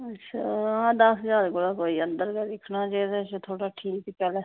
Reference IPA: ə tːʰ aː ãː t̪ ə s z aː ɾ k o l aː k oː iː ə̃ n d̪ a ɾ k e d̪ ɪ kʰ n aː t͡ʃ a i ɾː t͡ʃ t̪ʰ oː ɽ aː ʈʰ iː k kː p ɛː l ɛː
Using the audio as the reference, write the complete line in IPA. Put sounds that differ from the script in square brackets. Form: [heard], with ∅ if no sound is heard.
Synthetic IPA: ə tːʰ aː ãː [d̪] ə s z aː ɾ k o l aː k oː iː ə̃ n d̪ [ə] ɾ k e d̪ ɪ kʰ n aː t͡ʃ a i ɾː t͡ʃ t̪ʰ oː ɽ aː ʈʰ iː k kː p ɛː l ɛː